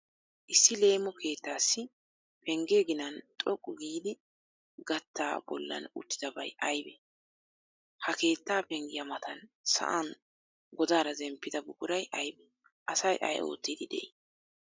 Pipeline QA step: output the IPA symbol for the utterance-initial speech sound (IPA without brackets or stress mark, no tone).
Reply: ʔ